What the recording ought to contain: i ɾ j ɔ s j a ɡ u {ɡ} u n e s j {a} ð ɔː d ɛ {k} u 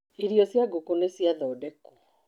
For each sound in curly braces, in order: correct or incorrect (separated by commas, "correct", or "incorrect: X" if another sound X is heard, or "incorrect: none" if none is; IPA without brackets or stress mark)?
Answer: incorrect: k, correct, correct